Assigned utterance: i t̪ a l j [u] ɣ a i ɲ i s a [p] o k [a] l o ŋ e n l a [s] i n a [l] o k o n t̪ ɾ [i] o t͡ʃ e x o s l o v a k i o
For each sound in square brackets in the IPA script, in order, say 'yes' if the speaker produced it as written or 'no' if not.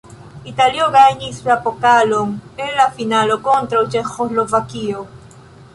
no, yes, yes, no, yes, no

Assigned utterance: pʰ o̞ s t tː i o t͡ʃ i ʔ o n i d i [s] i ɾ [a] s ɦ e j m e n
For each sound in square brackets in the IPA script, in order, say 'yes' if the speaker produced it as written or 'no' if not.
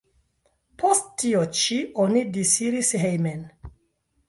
yes, no

